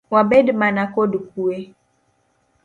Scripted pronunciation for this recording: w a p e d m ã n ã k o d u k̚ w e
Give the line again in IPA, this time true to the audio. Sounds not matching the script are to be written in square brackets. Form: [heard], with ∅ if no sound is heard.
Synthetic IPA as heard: w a [b] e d m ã n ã k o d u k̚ [u] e